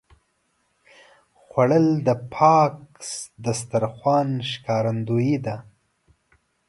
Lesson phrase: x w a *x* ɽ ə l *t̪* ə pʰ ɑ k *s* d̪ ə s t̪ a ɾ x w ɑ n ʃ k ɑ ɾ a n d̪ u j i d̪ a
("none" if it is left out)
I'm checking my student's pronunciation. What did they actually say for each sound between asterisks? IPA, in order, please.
none, d̪, s

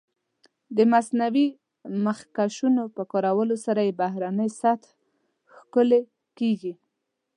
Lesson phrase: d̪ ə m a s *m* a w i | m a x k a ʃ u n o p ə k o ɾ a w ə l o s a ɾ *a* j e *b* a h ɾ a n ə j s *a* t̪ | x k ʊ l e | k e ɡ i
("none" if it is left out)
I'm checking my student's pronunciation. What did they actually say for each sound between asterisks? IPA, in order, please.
n, a, b, a

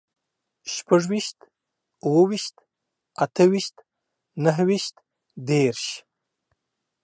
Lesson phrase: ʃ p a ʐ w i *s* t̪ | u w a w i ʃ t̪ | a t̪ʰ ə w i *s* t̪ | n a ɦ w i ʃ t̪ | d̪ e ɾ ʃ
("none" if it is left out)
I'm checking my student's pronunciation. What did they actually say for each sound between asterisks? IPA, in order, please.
ʃ, ʃ

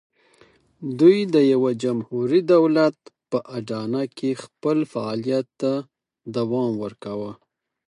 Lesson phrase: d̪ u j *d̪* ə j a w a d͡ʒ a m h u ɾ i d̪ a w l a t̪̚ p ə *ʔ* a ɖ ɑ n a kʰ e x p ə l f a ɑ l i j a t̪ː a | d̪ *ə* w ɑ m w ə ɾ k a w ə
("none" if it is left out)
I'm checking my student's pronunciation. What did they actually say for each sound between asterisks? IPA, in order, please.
d̪, ʔ, a

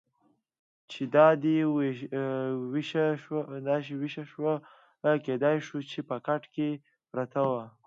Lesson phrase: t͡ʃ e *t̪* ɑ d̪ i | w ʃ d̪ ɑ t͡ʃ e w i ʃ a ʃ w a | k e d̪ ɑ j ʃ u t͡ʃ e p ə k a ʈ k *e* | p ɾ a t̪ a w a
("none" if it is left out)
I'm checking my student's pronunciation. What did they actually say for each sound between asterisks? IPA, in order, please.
d̪, e

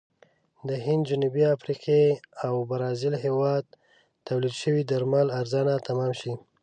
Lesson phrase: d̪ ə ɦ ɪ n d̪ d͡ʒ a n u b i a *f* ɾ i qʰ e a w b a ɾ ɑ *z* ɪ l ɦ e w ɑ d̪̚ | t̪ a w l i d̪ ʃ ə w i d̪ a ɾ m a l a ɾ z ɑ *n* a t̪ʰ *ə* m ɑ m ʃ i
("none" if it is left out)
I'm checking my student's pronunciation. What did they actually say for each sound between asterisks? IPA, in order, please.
f, z, n, a

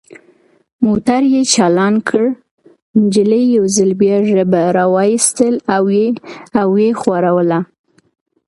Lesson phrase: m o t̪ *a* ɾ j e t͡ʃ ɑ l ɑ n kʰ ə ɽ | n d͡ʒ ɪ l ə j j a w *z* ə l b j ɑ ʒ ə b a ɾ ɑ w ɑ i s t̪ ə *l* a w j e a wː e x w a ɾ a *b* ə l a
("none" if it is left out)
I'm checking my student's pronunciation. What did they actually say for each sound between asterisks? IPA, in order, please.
a, z, l, w

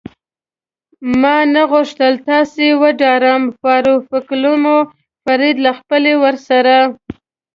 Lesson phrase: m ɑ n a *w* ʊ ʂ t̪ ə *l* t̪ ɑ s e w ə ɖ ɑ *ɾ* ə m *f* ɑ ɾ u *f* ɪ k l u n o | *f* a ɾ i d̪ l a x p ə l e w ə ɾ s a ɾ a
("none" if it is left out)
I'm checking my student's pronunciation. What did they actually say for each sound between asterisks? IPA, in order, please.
ɣ, l, ɾ, f, f, f

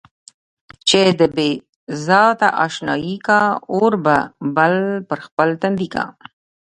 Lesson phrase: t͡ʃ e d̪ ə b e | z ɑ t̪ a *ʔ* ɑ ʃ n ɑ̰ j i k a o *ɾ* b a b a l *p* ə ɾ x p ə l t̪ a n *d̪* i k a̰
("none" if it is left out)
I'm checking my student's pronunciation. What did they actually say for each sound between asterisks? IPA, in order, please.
ʔ, ɾ, p, d̪

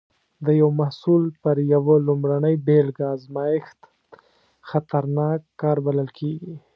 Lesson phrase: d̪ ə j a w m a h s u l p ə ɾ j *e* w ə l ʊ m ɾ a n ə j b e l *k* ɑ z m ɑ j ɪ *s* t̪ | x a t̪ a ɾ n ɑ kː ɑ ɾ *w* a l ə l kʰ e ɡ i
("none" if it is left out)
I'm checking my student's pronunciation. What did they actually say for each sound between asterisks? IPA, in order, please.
a, ɡ, x, b

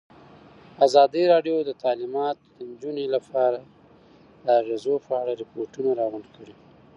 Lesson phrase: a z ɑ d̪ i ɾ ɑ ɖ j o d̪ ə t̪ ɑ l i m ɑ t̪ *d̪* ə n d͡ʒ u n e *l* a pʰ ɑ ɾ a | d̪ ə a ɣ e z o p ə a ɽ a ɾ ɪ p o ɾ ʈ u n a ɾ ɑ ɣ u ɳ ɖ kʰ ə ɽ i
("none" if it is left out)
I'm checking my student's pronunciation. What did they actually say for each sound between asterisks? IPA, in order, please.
d̪, l

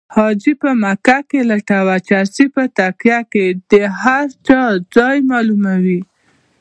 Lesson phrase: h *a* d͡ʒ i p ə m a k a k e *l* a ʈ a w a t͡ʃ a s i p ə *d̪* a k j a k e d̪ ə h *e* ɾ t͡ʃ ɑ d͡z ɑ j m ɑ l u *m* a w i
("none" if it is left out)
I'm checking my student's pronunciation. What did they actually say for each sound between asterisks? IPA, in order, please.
ɑ, l, t̪, a, m

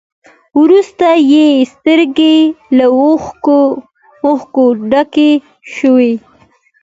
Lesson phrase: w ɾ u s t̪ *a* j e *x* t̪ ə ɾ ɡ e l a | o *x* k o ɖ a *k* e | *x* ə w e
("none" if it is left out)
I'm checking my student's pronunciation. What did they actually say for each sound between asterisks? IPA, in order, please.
a, s, x, k, ʃ

